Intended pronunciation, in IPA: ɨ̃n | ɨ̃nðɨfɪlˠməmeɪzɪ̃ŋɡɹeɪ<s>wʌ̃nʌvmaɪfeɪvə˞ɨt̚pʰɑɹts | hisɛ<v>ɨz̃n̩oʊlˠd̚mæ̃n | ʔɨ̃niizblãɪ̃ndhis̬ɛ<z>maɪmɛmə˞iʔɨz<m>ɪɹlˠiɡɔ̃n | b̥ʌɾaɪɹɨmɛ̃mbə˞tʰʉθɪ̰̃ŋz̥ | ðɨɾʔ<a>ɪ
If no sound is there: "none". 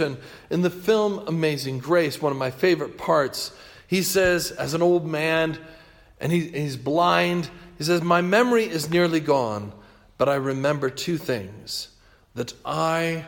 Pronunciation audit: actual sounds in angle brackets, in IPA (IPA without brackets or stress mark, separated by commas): s, z, z, n, a